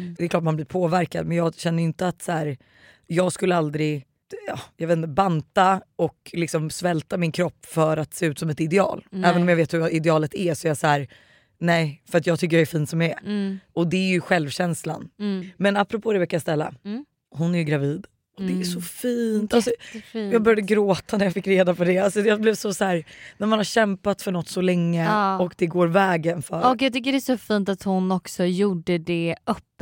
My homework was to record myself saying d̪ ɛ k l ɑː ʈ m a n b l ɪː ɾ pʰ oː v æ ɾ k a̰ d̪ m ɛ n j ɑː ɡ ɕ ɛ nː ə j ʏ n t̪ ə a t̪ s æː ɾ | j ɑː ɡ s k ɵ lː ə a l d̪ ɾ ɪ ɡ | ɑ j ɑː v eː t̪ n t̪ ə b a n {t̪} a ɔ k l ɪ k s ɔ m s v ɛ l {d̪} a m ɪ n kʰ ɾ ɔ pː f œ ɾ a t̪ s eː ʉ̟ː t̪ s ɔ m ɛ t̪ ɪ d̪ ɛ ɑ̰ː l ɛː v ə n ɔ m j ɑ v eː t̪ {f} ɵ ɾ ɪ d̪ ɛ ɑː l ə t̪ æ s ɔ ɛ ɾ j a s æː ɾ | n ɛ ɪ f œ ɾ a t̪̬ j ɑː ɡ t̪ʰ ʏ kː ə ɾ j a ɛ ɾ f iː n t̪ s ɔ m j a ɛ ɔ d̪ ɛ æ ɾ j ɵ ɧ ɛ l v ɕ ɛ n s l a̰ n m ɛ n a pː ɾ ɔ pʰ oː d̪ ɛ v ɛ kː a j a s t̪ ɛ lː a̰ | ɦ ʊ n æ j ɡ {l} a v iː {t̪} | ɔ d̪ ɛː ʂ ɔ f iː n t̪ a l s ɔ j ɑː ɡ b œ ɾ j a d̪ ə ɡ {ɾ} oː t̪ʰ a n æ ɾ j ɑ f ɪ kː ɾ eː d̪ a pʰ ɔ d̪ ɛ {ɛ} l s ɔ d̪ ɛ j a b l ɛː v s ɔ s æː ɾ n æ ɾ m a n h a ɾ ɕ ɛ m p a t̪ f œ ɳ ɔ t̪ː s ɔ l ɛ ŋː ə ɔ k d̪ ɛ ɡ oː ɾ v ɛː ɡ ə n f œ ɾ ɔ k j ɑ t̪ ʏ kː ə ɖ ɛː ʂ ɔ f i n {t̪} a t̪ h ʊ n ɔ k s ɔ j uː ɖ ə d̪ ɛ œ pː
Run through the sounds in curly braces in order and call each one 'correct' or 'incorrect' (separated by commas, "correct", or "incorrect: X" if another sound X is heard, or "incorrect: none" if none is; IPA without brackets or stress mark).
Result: correct, incorrect: t̪, incorrect: h, incorrect: ɾ, incorrect: d̪, correct, incorrect: a, correct